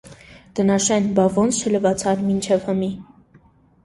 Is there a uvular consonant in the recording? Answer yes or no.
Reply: no